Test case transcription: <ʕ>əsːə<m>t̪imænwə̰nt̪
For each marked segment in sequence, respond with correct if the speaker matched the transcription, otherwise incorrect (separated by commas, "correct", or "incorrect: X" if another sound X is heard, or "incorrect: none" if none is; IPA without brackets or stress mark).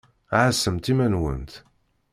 correct, correct